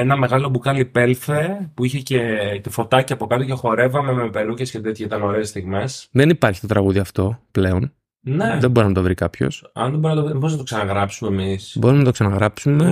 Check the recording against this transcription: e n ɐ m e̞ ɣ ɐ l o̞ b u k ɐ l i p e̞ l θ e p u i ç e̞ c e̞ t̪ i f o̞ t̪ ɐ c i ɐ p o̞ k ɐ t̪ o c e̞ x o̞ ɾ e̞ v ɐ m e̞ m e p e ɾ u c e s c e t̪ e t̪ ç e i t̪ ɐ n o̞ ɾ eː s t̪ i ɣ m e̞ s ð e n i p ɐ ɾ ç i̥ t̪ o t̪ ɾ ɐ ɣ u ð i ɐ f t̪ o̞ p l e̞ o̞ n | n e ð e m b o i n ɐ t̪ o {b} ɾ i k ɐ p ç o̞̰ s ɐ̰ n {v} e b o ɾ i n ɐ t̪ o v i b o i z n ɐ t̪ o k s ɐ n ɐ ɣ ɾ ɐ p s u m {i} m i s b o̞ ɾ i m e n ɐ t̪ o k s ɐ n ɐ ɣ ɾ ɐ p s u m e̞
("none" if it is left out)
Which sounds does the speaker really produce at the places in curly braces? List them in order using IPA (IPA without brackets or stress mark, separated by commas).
v, ð, e